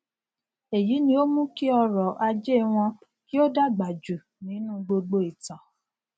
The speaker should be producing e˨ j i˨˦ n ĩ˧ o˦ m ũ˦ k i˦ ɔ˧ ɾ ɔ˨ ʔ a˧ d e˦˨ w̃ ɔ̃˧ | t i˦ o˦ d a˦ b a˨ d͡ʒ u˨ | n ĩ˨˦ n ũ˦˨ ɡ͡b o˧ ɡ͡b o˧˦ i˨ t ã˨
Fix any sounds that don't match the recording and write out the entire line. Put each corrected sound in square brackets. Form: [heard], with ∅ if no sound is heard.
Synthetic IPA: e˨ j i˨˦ n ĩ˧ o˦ m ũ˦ k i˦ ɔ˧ ɾ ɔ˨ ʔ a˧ [d͡ʒ] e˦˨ w̃ ɔ̃˧ | [k] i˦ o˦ d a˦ [ɡ͡b] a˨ d͡ʒ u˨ | n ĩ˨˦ n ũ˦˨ ɡ͡b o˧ ɡ͡b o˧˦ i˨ t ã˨